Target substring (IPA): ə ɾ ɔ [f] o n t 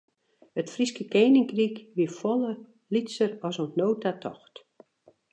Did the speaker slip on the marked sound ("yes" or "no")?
yes